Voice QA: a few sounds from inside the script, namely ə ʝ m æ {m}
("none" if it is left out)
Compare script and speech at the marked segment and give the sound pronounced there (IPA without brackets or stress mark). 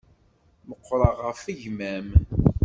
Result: m